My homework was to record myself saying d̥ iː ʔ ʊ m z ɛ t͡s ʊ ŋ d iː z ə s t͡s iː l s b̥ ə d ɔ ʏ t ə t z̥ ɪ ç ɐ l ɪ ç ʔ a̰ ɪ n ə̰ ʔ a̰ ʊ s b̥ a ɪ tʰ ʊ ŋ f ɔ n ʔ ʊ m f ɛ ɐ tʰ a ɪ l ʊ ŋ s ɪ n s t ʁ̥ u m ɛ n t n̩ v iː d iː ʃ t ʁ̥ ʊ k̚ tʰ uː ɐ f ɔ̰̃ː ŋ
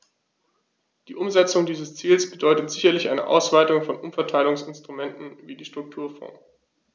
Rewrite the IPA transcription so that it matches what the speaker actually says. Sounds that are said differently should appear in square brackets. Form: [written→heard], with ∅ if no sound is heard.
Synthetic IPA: d̥ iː ʔ ʊ m z ɛ t͡s ʊ ŋ d iː z ə s t͡s iː l s b̥ ə d ɔ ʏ t ə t z̥ ɪ ç ɐ l ɪ ç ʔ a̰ ɪ n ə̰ ʔ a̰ ʊ s [b̥→v̥] a ɪ [tʰ→t] ʊ ŋ f ɔ n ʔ ʊ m f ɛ ɐ tʰ a ɪ l ʊ ŋ s ɪ n s t ʁ̥ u m ɛ n t n̩ v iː d iː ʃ t ʁ̥ ʊ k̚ tʰ uː ɐ f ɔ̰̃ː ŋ

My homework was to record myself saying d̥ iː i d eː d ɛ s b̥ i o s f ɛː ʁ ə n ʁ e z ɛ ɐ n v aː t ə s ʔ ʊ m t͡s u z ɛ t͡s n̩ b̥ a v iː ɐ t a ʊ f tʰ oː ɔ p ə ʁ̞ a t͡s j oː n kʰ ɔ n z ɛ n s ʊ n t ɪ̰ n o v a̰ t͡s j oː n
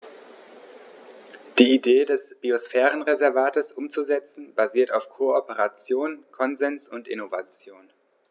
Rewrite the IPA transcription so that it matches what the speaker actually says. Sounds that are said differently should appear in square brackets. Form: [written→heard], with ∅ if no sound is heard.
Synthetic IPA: d̥ iː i d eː d ɛ s b̥ i o s f ɛː ʁ ə n ʁ e z ɛ ɐ [n→∅] v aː t ə s ʔ ʊ m t͡s u z ɛ t͡s n̩ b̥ a [v→z] iː ɐ t a ʊ f [tʰ→kʰ] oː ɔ p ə ʁ̞ a t͡s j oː n kʰ ɔ n z ɛ n s ʊ n t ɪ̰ n o v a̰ t͡s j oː n

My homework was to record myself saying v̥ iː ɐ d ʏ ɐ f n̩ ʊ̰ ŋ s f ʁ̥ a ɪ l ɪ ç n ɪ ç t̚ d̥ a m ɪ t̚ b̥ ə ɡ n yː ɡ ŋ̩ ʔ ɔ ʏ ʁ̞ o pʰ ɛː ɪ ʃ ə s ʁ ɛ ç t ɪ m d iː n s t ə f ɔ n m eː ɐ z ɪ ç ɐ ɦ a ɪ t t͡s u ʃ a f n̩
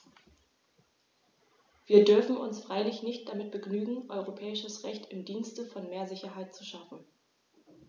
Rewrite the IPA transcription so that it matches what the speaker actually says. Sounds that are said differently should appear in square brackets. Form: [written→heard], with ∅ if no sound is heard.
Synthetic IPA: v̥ iː ɐ d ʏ ɐ f n̩ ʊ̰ [ŋ→n] s f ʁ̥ a ɪ l ɪ ç n ɪ ç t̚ d̥ a m ɪ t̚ b̥ ə ɡ n yː ɡ ŋ̩ ʔ ɔ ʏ ʁ̞ o pʰ ɛː ɪ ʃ ə s ʁ ɛ ç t ɪ m d iː n s t ə f ɔ n m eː ɐ z ɪ ç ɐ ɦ a ɪ t t͡s u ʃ a f n̩

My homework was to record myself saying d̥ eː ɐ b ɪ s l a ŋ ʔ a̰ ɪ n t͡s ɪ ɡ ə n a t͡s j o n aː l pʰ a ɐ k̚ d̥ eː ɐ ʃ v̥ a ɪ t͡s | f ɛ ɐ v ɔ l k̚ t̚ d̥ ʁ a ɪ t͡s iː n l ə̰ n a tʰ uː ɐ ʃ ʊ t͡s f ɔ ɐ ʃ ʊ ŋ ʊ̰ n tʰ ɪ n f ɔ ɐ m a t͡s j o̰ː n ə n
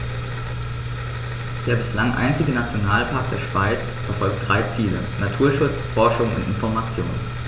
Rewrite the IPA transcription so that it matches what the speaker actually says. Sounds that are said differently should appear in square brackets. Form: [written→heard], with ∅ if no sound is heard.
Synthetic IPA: d̥ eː ɐ b ɪ s l a ŋ ʔ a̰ ɪ n t͡s ɪ ɡ ə n a t͡s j o n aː l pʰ a ɐ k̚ d̥ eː ɐ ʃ v̥ a ɪ t͡s | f ɛ ɐ [v→f] ɔ l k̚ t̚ d̥ ʁ a ɪ t͡s iː [n→∅] l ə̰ n a tʰ uː ɐ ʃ ʊ t͡s f ɔ ɐ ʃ ʊ ŋ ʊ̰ n [tʰ→t] ɪ n f ɔ ɐ m a t͡s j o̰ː n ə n

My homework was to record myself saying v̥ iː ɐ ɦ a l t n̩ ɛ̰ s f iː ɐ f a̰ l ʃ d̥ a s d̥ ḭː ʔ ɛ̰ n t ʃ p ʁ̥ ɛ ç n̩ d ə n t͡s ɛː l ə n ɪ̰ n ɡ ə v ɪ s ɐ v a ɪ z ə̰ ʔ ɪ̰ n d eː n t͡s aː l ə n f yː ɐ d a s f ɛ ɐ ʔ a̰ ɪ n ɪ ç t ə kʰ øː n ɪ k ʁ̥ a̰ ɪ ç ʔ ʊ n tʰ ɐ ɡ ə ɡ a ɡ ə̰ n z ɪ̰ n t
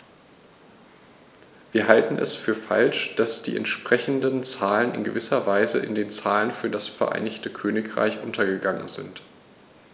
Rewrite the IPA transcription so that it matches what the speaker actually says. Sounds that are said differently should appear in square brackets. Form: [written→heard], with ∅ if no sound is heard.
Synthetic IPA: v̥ iː ɐ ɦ a l t n̩ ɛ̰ s f [iː→yː] ɐ f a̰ l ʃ d̥ a s d̥ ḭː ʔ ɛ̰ n t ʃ p ʁ̥ ɛ ç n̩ d ə n t͡s [ɛː→aː] l ə n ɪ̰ n ɡ ə v ɪ s ɐ v a ɪ z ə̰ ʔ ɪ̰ n d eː n t͡s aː l ə n f yː ɐ d a s f ɛ ɐ ʔ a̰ ɪ n ɪ ç t ə kʰ øː n ɪ k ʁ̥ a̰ ɪ ç ʔ ʊ n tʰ ɐ ɡ ə ɡ a [ɡ→ŋ] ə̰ n z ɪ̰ n t

